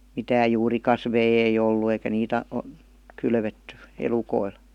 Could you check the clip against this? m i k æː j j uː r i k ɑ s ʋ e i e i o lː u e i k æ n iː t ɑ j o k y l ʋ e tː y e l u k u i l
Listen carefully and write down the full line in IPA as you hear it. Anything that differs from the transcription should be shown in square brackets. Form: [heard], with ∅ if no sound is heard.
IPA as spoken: m i [t] æː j j uː r i k ɑ s ʋ e i e i o lː u e i k æ n iː t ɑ [∅] o k y l ʋ e tː y e l u k [o] i l